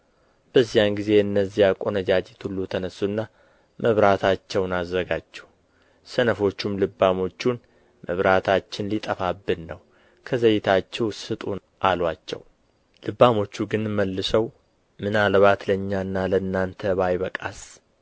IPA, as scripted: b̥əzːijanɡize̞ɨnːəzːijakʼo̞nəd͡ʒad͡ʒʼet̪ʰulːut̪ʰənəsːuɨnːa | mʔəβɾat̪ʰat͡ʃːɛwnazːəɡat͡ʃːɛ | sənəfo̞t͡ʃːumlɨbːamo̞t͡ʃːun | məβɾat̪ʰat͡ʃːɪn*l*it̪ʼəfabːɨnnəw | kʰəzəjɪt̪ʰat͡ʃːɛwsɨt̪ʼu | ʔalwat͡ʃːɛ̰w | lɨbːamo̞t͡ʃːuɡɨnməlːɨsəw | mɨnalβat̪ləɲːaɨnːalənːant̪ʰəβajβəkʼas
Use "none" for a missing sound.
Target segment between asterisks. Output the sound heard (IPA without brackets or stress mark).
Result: l